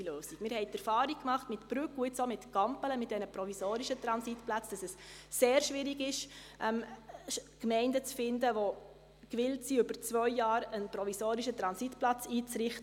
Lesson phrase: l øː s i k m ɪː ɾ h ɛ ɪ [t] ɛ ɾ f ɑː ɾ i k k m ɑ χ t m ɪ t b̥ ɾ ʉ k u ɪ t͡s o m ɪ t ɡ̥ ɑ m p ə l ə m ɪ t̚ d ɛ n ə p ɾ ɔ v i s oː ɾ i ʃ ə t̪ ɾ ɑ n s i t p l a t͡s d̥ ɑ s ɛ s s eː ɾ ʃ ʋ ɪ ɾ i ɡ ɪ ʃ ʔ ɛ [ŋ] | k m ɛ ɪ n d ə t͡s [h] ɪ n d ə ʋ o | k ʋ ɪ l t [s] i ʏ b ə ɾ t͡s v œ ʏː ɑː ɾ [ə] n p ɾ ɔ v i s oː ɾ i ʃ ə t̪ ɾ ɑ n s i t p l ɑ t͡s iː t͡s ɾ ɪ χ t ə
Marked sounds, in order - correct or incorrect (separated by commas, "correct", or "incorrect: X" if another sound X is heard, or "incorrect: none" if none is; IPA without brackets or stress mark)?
correct, incorrect: m, incorrect: f, correct, correct